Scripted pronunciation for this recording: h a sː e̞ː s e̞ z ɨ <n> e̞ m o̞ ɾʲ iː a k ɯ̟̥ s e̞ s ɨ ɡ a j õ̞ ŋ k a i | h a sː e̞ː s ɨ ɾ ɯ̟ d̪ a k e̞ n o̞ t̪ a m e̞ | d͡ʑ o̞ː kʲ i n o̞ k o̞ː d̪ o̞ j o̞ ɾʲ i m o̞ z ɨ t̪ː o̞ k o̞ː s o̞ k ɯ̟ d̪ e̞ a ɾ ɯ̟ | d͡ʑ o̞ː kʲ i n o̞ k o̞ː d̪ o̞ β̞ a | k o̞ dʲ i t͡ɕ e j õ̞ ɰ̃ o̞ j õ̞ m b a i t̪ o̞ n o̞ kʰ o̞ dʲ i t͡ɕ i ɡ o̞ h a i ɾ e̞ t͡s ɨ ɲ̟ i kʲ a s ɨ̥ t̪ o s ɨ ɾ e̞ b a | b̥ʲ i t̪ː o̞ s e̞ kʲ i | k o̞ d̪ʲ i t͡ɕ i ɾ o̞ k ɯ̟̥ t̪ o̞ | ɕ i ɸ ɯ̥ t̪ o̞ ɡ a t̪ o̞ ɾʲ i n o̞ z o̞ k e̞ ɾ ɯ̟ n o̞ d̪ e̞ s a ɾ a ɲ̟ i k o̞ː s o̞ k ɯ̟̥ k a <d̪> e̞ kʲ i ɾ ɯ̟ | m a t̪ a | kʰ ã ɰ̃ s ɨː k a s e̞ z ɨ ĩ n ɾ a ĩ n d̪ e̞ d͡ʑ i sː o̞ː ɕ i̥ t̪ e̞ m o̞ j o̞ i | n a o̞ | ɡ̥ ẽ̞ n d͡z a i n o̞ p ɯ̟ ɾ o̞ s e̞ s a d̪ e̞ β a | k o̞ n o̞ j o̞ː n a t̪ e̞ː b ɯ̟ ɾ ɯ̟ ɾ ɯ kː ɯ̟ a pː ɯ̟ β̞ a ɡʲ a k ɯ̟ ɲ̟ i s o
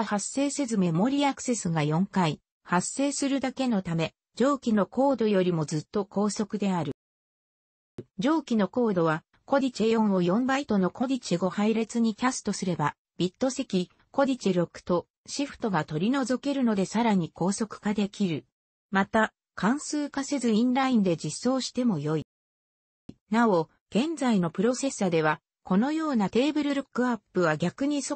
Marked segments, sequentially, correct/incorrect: incorrect: m, correct

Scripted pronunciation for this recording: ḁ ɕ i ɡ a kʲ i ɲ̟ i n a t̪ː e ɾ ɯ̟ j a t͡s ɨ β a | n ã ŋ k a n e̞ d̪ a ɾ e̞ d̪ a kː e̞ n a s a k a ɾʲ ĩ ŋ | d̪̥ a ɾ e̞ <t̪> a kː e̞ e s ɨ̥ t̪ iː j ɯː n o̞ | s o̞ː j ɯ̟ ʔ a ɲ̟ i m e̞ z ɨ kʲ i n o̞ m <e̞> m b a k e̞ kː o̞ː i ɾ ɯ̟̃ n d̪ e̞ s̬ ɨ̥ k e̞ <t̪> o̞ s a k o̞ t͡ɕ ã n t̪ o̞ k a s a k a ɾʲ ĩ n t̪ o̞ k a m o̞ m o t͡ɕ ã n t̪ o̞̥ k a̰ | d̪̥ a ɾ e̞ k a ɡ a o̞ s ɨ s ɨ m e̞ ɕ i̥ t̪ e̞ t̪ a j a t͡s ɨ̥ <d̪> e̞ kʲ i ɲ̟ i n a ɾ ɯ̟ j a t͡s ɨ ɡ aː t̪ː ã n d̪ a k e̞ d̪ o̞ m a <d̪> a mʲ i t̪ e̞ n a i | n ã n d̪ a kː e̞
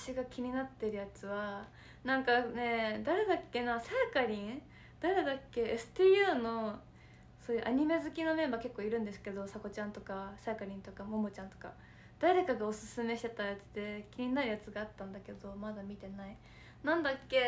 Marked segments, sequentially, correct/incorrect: incorrect: d̪, incorrect: ẽ̞, incorrect: d̪, correct, correct

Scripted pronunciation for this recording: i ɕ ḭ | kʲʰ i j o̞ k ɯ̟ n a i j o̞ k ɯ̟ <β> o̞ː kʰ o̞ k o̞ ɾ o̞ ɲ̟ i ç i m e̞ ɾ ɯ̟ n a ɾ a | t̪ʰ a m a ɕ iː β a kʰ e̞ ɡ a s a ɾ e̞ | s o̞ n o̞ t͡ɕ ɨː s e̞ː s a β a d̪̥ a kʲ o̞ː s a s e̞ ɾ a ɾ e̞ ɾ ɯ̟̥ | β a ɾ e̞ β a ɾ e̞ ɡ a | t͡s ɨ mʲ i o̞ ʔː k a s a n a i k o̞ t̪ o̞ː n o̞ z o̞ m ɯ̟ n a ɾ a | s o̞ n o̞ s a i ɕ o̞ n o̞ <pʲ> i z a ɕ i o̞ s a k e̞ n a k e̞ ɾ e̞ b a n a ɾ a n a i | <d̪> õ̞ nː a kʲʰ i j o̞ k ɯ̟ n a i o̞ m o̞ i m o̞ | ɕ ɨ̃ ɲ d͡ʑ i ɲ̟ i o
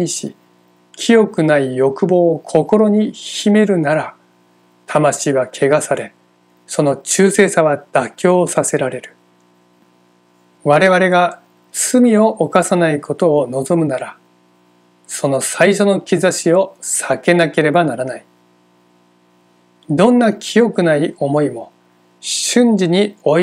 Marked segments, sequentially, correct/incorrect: incorrect: b, incorrect: kʲ, correct

